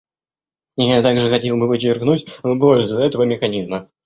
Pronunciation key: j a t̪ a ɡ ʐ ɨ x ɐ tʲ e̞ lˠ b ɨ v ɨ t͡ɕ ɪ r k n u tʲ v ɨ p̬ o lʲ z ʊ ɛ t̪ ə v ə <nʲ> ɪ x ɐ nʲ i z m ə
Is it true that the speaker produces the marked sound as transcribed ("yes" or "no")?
no